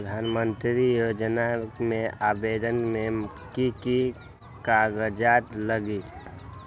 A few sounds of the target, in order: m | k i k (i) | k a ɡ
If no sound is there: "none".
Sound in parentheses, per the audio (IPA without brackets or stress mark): i